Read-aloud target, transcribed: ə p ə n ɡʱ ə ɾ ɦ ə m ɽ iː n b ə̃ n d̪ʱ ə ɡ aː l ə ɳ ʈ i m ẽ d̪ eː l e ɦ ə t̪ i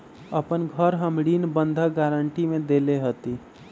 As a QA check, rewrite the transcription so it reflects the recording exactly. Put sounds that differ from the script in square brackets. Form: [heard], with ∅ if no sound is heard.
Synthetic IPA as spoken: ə p ə n ɡʱ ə ɾ ɦ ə m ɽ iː n b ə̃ n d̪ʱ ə ɡ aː [ɾ] ə ɳ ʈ i m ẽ d̪ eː l e ɦ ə t̪ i